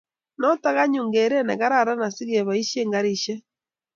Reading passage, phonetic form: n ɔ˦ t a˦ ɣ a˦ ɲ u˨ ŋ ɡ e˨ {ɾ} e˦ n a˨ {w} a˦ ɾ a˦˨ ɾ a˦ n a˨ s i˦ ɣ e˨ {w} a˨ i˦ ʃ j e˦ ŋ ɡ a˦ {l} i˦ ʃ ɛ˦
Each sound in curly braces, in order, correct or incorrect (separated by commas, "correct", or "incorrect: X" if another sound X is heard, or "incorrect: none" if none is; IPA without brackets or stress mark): correct, incorrect: ɣ, incorrect: β, incorrect: ɾ